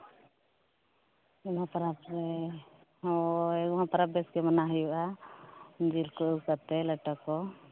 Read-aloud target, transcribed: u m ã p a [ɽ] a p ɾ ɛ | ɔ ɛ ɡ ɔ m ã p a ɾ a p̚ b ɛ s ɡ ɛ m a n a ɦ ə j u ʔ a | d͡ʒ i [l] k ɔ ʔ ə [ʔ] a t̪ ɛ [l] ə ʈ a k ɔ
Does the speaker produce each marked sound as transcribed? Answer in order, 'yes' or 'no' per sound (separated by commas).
no, yes, no, yes